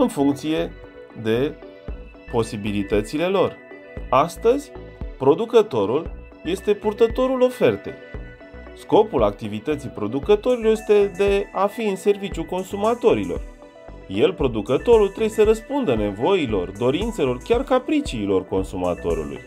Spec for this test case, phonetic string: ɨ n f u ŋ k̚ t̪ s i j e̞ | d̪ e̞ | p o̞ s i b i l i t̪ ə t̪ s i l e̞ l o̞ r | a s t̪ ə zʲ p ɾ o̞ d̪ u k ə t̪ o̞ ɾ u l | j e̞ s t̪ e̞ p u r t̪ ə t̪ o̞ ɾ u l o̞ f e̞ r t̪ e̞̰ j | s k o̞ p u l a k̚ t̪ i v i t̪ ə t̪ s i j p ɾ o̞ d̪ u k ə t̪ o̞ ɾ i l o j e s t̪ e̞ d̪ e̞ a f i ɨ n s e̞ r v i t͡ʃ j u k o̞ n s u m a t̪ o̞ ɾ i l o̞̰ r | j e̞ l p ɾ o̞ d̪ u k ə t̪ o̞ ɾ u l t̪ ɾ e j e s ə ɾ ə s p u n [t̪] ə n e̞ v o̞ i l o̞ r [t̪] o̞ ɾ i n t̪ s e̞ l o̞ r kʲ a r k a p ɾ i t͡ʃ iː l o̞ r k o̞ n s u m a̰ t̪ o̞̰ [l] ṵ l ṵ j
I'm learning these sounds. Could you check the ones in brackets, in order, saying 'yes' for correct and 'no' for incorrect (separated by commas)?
no, no, no